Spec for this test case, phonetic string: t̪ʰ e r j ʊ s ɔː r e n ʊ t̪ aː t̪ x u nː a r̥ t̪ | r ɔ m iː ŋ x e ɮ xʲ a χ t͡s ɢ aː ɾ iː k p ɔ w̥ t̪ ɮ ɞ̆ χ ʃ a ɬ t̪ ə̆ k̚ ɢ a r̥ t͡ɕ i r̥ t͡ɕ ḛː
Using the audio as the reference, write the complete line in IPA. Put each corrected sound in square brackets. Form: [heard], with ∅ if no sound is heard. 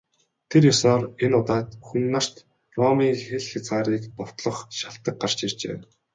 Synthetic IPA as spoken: t̪ʰ e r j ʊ s ɔː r e n ʊ t̪ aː t̪ x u nː a r̥ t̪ | r ɔ m iː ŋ x e ɮ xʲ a [∅] t͡s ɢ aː ɾ iː k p ɔ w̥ t̪ ɮ ɞ̆ χ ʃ a ɬ t̪ ə̆ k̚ ɢ a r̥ t͡ɕ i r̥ t͡ɕ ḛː